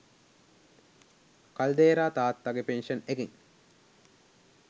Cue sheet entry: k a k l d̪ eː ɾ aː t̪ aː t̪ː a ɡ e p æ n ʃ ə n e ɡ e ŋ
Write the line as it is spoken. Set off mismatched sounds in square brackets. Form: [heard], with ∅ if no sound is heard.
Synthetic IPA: k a [∅] l d̪ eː ɾ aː t̪ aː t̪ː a ɡ e p [e] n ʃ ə n e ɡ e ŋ